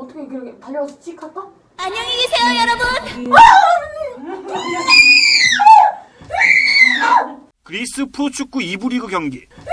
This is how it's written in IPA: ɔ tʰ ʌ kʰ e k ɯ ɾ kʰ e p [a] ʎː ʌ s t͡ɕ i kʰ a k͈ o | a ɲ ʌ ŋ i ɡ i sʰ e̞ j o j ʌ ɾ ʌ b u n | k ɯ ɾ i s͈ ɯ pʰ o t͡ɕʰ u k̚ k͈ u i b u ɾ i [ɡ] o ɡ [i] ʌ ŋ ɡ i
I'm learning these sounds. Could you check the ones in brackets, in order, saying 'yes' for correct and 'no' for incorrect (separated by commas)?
yes, yes, no